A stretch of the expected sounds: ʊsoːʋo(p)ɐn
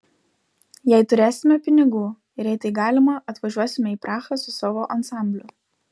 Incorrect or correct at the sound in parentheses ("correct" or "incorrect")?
incorrect